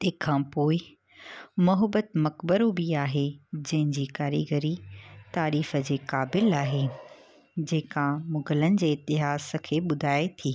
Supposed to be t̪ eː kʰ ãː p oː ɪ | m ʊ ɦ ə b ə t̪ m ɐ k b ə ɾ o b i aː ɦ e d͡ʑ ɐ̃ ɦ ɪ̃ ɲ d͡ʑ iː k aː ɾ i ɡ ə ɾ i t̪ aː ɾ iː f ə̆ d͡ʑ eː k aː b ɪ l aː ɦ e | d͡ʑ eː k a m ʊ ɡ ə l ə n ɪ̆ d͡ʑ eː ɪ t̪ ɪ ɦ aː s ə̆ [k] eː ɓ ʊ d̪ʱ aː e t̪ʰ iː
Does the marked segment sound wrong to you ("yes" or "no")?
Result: yes